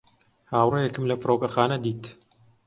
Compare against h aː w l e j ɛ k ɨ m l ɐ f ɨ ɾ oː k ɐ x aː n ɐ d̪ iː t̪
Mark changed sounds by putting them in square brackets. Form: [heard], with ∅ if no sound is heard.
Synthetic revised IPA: h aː w [r] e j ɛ k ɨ m l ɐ f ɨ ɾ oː k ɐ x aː n ɐ d̪ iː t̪